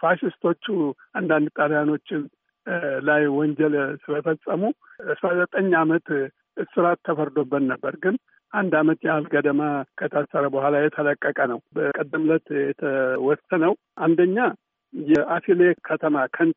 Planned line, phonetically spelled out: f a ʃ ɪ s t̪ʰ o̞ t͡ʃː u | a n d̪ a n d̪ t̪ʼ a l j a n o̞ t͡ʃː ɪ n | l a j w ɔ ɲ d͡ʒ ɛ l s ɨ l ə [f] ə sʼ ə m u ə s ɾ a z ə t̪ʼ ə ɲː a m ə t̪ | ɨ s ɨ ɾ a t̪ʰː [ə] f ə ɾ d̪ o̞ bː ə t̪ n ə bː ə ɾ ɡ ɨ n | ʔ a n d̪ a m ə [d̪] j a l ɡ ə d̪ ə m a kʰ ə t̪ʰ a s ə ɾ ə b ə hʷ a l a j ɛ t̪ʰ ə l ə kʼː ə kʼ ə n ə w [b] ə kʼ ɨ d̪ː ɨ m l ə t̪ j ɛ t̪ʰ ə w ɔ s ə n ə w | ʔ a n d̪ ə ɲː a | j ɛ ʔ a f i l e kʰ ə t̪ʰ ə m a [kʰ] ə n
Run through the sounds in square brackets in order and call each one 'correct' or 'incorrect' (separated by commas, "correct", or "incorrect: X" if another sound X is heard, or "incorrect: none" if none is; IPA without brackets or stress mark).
correct, correct, incorrect: t̪, correct, correct